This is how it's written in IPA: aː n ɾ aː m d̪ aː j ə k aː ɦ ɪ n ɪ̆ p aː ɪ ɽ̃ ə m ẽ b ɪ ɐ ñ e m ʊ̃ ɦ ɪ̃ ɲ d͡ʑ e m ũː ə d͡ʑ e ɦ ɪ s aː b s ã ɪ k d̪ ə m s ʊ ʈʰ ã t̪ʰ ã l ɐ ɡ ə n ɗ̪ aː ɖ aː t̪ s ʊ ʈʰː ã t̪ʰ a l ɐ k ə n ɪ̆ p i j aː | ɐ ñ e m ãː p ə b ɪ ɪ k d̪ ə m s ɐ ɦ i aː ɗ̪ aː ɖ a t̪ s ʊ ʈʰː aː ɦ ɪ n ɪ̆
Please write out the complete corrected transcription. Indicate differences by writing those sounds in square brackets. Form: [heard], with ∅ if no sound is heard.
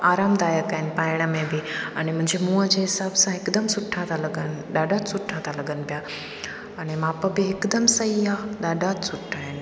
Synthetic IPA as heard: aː [∅] ɾ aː m d̪ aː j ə k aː ɦ ɪ n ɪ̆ p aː ɪ ɽ̃ ə m ẽ b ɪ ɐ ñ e m ʊ̃ ɦ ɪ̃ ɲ d͡ʑ e m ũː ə d͡ʑ e ɦ ɪ s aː b s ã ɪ k d̪ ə m s ʊ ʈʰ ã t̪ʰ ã l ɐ ɡ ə n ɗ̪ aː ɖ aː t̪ s ʊ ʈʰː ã t̪ʰ a l ɐ [ɡ] ə n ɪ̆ p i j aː | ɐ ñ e m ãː p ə b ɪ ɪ k d̪ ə m s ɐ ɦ i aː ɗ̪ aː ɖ a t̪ s ʊ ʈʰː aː ɦ ɪ n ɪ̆